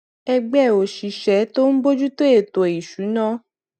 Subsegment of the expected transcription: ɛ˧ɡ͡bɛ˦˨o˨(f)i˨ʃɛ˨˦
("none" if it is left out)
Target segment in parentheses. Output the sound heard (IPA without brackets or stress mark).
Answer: ʃ